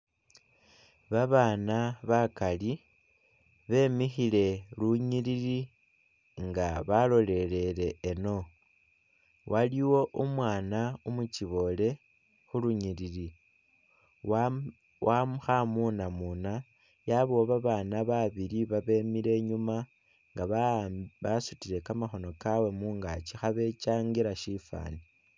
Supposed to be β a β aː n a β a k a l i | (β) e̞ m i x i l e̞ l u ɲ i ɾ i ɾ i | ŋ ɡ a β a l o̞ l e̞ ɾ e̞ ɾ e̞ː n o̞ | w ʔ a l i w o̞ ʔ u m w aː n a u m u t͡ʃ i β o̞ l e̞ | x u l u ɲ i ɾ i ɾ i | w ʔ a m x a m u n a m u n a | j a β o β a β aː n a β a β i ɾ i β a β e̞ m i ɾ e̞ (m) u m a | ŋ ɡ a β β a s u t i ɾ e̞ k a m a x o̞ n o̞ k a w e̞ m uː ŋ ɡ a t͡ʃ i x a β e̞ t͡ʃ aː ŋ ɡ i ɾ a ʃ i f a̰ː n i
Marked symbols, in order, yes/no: yes, no

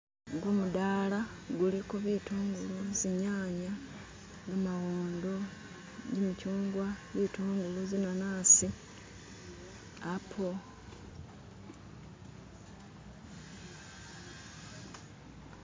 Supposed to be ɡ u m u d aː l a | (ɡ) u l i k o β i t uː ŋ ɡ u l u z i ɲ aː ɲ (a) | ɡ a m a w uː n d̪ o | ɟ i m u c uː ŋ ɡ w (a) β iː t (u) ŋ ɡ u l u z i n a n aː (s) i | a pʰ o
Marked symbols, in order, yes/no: yes, yes, yes, no, yes

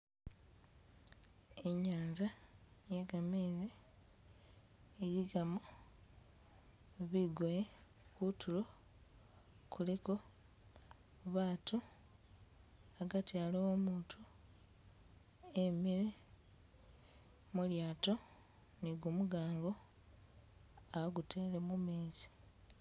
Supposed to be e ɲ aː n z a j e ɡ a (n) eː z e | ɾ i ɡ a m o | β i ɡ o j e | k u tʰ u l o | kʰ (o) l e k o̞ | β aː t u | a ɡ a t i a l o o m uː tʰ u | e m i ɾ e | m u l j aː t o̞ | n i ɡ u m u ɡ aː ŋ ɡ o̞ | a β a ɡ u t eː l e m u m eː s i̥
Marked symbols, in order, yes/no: no, no

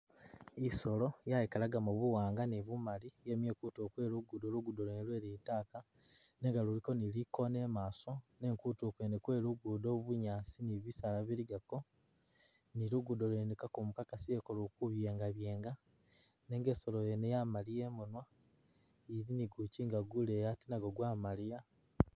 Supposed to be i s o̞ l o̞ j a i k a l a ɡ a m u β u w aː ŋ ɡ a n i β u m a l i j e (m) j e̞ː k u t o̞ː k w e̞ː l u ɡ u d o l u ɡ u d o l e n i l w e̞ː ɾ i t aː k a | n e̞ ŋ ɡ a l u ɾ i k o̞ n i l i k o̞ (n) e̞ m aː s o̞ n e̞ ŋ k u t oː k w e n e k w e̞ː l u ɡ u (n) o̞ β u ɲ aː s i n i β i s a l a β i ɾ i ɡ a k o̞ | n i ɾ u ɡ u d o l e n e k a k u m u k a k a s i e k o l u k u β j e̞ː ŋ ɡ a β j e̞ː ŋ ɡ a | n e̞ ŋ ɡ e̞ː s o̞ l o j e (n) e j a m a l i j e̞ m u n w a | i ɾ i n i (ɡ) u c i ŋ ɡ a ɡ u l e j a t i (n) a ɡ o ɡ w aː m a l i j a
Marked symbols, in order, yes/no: yes, yes, no, yes, yes, yes

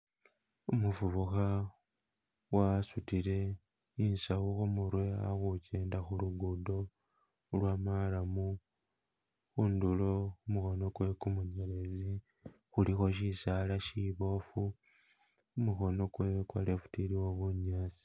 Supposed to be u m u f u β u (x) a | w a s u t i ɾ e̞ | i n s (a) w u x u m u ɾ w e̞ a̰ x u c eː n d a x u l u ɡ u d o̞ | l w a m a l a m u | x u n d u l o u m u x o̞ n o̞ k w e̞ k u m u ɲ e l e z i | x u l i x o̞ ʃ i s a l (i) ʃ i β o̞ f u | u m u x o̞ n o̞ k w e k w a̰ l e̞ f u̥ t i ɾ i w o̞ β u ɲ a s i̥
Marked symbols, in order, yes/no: yes, yes, no

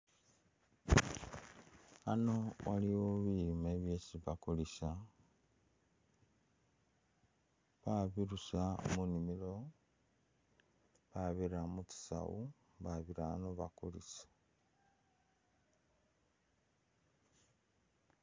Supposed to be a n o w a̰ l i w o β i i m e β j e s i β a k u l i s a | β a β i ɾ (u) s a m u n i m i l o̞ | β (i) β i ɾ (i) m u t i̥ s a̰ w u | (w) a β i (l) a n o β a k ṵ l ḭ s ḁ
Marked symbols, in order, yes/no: yes, no, no, no, no

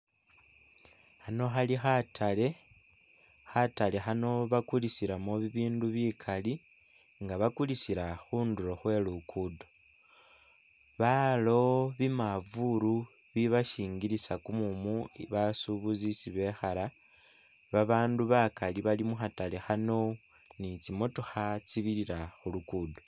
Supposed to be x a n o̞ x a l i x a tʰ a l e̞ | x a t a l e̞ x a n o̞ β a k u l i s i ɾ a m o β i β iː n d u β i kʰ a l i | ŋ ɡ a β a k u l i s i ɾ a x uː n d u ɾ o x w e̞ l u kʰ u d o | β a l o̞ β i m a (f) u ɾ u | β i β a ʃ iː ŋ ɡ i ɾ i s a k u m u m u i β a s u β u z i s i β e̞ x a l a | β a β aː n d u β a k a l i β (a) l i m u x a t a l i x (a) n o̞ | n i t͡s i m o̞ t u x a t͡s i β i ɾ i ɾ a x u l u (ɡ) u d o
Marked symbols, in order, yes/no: no, yes, yes, no

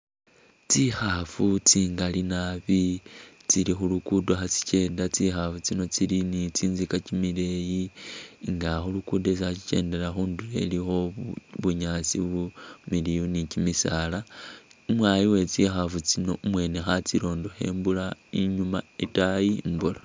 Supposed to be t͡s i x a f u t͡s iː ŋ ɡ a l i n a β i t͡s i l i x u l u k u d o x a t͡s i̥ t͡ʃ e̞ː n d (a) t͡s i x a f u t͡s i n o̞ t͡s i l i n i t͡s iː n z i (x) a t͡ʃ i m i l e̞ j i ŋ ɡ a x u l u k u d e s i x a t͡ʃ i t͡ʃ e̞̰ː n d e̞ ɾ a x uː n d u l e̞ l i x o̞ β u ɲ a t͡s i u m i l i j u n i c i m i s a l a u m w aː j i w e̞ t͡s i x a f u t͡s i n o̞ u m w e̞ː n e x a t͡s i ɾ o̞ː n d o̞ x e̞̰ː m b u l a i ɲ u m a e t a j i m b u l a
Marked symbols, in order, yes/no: yes, no

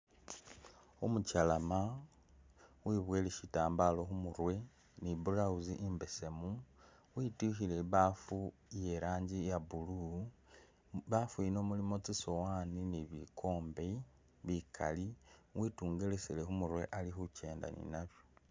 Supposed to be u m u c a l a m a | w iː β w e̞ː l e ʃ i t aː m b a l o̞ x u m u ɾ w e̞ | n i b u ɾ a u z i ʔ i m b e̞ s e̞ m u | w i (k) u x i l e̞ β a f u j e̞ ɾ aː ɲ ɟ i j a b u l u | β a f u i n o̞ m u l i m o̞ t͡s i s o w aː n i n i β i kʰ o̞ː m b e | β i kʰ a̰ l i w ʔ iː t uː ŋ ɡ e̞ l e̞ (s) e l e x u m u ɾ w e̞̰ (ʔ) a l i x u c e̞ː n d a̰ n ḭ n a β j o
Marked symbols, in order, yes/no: no, yes, yes

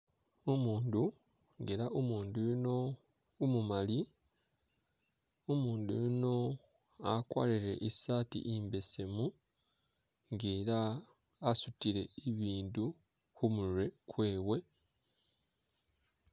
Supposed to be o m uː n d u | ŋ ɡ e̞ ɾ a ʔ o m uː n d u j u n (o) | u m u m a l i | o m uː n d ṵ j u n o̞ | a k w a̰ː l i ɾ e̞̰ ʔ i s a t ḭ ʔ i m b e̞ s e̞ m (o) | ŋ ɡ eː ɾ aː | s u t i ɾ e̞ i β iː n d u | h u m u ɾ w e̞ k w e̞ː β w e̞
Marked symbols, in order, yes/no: yes, no

